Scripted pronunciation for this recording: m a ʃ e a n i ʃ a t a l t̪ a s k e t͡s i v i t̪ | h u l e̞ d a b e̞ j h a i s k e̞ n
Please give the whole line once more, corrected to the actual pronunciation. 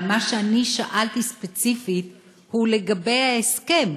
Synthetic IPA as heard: m a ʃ e a n i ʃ a ʔ a l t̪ i s p e t͡s i f i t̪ | h u l e̞ ɡ a b e̞ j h a e s k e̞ m

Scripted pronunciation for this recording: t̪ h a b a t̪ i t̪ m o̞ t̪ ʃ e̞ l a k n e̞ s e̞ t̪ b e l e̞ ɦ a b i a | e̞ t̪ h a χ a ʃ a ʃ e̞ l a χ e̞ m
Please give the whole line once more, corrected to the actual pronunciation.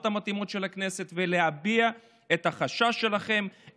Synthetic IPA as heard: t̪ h a m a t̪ i m o̞ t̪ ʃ e̞ l a k n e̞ s e̞ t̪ v e l e̞ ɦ a b i a | e̞ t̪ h a χ a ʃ a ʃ e̞ l a χ e̞ m

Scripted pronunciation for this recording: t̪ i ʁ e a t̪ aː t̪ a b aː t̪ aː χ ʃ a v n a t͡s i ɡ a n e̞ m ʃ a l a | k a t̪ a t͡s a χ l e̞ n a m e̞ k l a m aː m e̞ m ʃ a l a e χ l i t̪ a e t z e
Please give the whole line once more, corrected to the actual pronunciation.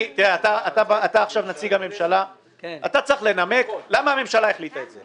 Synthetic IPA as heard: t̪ i ʁ e a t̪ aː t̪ a b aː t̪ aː χ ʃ a v n a t͡s i ɡ a m e̞ m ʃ a l a | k a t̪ a t͡s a χ l e̞ n a m e̞ k l a m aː m e̞ m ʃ a l a e χ l i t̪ a e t z e

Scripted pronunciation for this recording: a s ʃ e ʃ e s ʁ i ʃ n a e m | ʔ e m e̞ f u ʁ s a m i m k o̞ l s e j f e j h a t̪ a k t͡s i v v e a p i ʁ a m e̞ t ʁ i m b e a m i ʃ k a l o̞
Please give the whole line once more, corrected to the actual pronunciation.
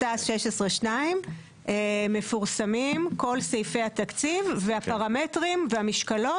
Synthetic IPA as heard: a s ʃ e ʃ e s ʁ e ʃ n a i m | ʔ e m e̞ f u ʁ s a m i m k o̞ l s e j f e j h a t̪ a k t͡s i v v e a p a ʁ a m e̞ t ʁ i m v e a m i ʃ k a l o̞

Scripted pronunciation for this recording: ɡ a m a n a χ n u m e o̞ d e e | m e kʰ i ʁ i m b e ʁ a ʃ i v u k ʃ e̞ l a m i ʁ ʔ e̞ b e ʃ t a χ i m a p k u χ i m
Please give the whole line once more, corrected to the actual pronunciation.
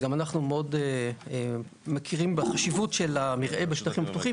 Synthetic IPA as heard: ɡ a m a n a χ n u m e o̞ d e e | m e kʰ i ʁ i m b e χ a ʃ i v u t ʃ e̞ l a m i ʁ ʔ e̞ b e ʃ t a χ i m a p t u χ i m

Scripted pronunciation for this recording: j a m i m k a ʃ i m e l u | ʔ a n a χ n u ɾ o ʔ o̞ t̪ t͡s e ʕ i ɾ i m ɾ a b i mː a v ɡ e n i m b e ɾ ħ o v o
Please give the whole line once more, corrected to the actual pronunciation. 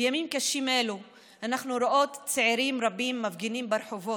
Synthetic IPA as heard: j a m i m k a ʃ i m e l u | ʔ a n a χ n u ɾ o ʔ o̞ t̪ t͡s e ʕ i ɾ i m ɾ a b i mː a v ɡ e n i m b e ɾ ħ o v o

